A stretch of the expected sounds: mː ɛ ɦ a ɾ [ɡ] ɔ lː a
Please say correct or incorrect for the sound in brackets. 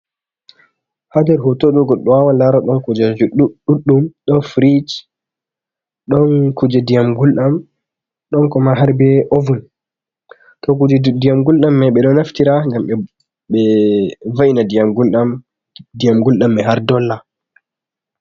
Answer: incorrect